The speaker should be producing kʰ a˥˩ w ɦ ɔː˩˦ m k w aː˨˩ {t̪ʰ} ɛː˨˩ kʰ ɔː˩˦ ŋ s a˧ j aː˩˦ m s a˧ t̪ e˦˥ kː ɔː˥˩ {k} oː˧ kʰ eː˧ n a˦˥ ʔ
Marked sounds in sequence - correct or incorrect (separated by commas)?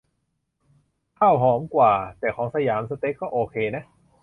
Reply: incorrect, incorrect